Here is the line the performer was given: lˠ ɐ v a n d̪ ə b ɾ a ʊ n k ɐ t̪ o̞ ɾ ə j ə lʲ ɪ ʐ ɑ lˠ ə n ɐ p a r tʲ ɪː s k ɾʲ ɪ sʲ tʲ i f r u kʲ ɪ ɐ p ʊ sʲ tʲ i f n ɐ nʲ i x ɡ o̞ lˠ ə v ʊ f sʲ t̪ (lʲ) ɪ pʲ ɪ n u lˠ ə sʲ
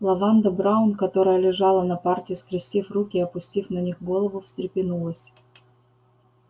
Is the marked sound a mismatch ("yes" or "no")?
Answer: yes